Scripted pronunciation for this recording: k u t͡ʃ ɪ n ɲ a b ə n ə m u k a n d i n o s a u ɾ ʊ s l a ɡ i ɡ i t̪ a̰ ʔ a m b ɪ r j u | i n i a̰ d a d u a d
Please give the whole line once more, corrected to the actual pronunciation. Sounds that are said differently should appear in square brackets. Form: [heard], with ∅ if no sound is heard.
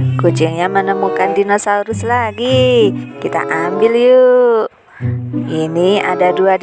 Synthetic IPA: k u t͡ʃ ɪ [ŋ] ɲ a [m] ə n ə m u k a n d i n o s a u ɾ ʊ s l a ɡ i [k] i t̪ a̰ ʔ a m b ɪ [l] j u | i n i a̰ d a d u a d